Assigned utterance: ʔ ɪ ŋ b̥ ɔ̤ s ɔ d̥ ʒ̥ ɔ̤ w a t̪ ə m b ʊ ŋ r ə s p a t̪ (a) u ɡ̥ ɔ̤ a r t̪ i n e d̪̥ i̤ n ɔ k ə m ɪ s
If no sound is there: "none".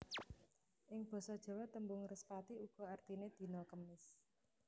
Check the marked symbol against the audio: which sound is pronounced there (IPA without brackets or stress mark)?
i